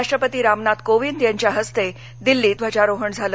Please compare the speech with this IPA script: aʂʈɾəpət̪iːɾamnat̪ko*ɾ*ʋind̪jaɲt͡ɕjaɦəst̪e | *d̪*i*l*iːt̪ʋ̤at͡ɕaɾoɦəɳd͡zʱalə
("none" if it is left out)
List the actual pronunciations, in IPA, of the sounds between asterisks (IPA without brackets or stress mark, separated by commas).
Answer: none, d̪, lː